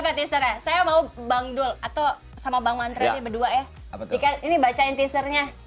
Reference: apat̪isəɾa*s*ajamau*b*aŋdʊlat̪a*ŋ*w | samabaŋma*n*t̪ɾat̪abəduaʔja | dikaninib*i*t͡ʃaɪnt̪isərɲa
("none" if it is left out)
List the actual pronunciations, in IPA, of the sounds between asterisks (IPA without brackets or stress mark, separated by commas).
s, b, none, n, a